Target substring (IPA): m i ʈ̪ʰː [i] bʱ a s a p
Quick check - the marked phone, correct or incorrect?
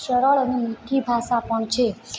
correct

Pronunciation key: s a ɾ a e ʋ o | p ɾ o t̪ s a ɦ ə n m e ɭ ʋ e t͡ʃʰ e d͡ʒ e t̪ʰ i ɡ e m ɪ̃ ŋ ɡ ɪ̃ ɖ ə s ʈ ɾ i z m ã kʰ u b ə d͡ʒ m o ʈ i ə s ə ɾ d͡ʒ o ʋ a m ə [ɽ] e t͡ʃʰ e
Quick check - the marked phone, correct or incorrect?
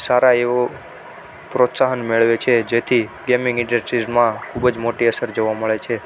incorrect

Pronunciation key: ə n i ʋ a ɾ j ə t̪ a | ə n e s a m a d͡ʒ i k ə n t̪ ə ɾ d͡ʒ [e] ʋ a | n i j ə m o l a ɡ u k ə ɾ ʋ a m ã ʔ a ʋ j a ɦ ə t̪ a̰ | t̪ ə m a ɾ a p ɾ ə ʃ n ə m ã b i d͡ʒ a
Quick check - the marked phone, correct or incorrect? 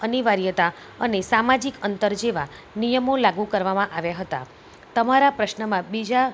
correct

